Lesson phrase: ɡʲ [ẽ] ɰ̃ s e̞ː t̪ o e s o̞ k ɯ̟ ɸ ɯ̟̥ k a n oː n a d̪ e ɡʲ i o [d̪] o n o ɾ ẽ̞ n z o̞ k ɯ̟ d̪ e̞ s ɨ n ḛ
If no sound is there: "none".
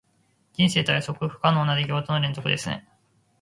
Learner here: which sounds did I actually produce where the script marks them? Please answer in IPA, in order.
ĩ, t̪

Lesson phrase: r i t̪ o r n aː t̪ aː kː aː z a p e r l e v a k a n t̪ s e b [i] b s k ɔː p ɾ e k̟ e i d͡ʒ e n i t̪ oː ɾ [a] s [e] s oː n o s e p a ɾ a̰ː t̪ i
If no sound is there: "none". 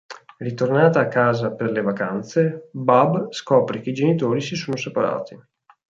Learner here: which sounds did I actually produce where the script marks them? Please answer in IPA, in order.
a, i, i

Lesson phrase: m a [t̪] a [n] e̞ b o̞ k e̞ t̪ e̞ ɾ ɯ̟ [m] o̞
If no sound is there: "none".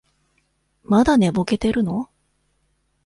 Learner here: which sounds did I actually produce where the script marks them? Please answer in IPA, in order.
d̪, n, n

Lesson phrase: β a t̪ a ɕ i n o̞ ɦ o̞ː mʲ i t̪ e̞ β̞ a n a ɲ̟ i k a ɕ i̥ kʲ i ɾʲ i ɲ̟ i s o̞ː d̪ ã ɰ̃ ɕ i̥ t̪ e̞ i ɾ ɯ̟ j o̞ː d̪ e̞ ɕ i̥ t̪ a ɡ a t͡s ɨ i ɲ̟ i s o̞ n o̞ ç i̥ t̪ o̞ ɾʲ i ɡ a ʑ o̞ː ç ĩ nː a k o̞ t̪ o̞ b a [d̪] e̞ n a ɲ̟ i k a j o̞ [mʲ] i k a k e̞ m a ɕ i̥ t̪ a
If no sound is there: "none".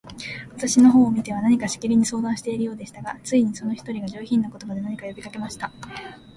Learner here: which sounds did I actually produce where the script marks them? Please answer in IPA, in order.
d̪, bʲ

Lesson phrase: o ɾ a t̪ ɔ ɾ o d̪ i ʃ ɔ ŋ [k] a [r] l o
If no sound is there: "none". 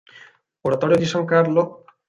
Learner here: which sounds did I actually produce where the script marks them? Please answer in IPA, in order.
k, ɾ

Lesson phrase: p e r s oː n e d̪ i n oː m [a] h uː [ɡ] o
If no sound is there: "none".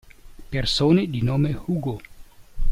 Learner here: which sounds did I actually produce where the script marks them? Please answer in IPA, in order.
e, ɡ

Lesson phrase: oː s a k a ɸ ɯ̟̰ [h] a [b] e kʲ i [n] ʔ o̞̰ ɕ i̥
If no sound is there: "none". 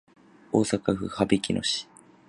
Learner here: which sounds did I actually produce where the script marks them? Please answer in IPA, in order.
h, b, n

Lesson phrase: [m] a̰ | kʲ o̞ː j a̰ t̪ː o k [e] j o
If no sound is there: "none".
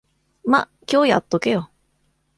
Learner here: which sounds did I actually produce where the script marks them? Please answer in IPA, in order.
m, e

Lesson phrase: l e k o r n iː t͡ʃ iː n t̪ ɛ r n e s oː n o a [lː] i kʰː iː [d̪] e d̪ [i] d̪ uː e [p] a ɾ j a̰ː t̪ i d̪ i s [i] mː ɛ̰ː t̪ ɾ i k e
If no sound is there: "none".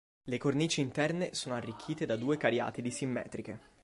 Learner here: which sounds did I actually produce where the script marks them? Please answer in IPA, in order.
rː, t̪, a, k, i

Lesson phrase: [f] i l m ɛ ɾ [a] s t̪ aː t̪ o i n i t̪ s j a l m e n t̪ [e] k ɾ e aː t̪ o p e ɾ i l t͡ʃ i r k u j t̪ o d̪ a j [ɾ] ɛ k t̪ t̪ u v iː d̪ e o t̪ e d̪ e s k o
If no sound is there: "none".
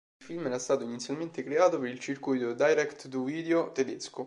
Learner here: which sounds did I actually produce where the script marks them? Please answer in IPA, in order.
f, a, e, ɾ

